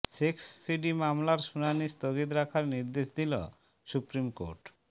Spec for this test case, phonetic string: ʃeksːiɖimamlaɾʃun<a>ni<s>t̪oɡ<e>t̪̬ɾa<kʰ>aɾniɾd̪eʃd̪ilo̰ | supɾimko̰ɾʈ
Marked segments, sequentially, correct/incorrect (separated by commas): correct, correct, incorrect, correct